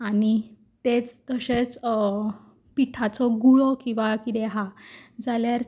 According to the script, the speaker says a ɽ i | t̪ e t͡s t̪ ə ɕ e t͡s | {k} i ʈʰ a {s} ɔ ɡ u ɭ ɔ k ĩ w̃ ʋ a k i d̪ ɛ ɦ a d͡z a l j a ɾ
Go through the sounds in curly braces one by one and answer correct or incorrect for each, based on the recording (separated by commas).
incorrect, incorrect